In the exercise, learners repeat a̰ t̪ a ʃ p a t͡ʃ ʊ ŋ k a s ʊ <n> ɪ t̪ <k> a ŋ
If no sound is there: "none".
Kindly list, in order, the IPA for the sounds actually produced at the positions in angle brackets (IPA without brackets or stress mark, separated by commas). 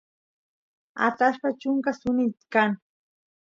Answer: n, k